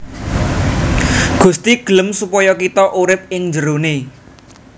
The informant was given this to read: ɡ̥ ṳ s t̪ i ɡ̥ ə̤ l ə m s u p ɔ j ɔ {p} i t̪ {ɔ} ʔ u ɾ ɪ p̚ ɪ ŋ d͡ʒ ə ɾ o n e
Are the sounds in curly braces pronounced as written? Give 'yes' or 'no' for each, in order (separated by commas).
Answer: no, yes